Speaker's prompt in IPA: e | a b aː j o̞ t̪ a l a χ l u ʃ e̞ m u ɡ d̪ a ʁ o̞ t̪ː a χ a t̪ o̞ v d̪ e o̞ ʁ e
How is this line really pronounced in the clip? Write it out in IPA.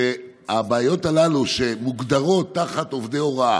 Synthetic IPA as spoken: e | a b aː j o̞ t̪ a l a l u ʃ e̞ m u ɡ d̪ a ʁ o̞ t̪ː a χ a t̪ o̞ v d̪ e o̞ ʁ a